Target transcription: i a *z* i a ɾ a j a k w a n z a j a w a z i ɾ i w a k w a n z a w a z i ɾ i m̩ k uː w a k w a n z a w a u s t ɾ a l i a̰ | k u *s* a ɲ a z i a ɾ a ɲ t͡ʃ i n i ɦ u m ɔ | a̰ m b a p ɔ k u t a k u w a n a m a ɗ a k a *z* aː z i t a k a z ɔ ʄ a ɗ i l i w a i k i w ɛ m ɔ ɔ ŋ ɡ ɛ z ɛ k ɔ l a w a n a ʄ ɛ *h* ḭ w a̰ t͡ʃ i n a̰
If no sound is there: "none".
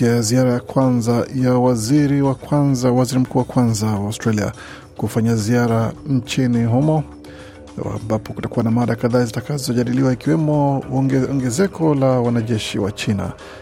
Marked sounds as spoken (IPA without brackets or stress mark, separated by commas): z, f, ð, ʃ